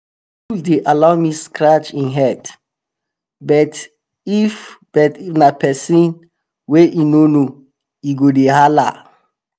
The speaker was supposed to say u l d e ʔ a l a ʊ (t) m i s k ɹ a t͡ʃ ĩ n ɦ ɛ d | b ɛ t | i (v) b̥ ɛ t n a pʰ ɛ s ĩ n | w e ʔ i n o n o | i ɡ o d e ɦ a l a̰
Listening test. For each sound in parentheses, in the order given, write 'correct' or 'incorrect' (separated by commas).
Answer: incorrect, incorrect